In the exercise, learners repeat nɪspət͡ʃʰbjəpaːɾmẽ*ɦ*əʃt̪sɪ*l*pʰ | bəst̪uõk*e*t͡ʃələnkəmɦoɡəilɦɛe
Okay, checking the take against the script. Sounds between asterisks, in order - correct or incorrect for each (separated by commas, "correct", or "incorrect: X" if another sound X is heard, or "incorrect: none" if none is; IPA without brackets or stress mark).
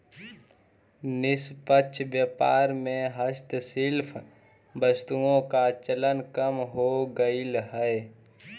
correct, correct, incorrect: a